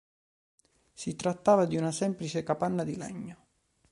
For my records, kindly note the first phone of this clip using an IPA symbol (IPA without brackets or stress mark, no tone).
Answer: s